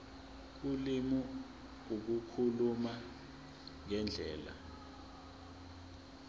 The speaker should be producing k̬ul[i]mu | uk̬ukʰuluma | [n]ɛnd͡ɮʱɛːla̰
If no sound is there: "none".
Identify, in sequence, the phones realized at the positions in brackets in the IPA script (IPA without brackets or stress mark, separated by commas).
i, ŋ